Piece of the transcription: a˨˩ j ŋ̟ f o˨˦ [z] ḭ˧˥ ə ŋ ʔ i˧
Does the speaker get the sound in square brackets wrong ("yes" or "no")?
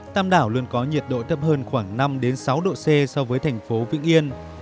yes